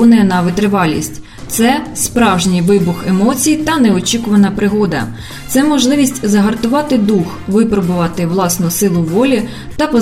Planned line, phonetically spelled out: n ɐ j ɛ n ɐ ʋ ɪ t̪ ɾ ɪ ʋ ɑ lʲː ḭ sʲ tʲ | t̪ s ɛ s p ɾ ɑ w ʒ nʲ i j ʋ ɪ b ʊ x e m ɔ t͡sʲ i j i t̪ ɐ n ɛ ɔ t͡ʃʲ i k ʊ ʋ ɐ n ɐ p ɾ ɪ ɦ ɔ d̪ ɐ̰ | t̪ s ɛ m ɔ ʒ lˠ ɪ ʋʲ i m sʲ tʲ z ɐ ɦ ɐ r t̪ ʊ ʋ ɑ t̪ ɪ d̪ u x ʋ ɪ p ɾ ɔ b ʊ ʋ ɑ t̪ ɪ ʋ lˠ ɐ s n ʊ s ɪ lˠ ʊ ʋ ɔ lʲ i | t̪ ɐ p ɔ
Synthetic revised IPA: n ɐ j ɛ n ɐ ʋ ɪ t̪ ɾ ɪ ʋ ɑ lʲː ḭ sʲ tʲ | t̪ s ɛ s p ɾ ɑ w ʒ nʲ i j ʋ ɪ b ʊ x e m ɔ t͡sʲ i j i t̪ ɐ n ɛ ɔ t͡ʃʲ i k ʊ ʋ ɐ n ɐ p ɾ ɪ ɦ ɔ d̪ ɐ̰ | t̪ s ɛ m ɔ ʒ lˠ ɪ ʋʲ i sʲ tʲ z ɐ ɦ ɐ r t̪ ʊ ʋ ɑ t̪ ɪ d̪ u x ʋ ɪ p ɾ ɔ b ʊ ʋ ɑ t̪ ɪ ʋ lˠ ɑ s n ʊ s ɪ lˠ ʊ ʋ ɔ lʲ i | t̪ ɐ p ɔ